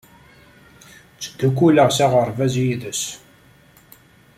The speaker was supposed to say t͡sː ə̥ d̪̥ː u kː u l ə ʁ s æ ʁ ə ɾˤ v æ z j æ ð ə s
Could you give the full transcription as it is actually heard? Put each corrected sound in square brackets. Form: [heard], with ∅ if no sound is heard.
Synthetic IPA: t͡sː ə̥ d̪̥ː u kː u l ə ʁ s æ ʁ ə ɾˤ v æ z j [i] ð ə s